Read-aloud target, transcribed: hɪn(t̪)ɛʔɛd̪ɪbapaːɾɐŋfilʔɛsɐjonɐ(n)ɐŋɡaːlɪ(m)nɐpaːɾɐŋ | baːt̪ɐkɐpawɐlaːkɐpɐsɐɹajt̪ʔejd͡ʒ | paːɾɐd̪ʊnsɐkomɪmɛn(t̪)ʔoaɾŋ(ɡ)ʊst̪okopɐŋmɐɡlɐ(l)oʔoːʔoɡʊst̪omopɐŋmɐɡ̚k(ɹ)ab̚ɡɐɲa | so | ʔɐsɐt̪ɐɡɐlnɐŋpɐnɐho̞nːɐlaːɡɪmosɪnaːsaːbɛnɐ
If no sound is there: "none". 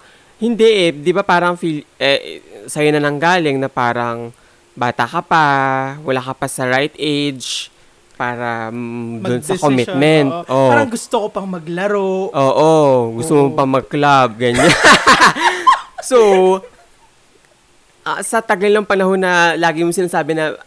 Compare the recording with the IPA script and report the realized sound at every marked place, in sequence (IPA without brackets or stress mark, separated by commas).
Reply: d̪, n, ŋ, t̪, ɡ, ɾ, l